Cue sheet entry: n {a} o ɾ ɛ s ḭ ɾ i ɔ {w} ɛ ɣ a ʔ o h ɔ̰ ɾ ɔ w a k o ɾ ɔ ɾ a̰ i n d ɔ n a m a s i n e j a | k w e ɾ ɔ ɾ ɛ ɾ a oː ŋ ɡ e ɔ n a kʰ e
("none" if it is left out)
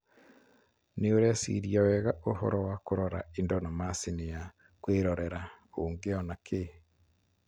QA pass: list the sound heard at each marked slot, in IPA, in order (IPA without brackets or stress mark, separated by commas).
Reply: e, w